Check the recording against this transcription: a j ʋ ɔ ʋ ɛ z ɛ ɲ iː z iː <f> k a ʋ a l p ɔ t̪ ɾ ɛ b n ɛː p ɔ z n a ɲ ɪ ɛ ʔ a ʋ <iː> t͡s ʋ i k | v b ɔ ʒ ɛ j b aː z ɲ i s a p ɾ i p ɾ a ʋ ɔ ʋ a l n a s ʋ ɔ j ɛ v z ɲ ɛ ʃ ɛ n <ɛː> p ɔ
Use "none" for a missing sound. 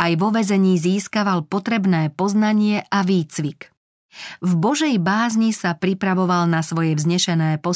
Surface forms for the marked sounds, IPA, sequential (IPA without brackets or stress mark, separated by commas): s, iː, ɛː